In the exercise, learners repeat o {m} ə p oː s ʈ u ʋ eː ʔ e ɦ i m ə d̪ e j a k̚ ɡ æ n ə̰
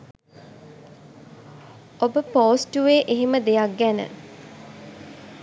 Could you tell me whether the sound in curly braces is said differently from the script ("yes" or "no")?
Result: yes